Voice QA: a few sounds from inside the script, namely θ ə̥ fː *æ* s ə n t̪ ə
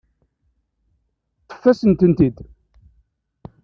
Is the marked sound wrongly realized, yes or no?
no